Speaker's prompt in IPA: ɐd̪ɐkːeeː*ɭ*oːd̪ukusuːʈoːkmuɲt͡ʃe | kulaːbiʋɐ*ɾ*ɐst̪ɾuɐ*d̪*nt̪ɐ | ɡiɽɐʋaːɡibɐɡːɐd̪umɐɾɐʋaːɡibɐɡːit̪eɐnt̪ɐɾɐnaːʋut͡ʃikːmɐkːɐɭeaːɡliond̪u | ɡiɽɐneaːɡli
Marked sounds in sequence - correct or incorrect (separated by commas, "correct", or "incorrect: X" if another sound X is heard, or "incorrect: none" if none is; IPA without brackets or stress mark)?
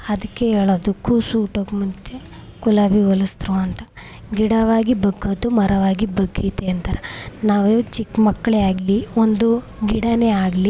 correct, incorrect: l, incorrect: none